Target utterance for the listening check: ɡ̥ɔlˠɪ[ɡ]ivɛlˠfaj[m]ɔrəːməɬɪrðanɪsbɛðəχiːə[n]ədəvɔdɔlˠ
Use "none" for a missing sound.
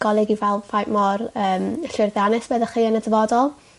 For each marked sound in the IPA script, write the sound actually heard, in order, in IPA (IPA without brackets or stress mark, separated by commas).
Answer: ɡ, m, n